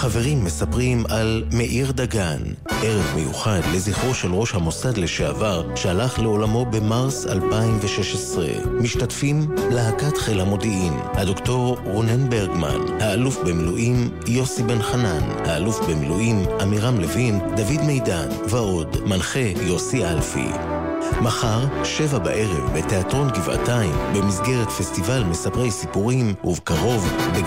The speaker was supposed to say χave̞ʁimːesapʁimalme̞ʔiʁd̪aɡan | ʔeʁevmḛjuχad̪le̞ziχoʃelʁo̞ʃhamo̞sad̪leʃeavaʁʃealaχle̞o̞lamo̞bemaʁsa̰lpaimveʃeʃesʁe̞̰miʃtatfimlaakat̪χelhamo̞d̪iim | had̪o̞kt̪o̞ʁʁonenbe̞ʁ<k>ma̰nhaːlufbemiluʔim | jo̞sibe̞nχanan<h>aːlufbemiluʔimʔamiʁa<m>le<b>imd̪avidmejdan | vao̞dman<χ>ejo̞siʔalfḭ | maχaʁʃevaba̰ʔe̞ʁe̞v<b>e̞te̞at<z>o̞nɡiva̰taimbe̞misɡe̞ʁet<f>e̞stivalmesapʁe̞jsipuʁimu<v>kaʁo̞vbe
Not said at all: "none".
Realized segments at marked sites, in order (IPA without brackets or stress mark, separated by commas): ɡ, h, m, v, χ, b, ʁ, f, v